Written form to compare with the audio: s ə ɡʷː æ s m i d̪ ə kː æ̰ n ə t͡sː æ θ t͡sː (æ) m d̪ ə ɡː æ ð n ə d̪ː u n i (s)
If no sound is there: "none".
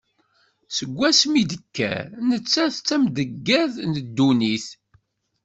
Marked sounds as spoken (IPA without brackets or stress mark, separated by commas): æ, θ